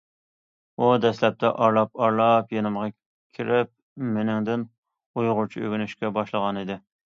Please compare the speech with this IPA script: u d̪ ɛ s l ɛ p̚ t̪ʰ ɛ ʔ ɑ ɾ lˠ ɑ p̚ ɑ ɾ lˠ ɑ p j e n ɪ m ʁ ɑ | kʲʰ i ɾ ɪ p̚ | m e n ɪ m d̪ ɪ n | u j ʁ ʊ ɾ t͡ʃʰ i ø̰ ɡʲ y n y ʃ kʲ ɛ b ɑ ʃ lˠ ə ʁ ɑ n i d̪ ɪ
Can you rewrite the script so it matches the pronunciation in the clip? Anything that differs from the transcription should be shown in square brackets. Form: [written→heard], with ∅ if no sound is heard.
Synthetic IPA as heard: u d̪ ɛ s l ɛ p̚ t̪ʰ ɛ ʔ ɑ ɾ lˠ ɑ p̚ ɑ ɾ lˠ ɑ p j e n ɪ m ʁ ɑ | kʲʰ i ɾ ɪ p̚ | m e n ɪ [m→ŋ] d̪ ɪ n | u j ʁ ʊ ɾ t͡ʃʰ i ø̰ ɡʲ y n y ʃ kʲ ɛ b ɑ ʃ lˠ ə ʁ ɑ n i d̪ ɪ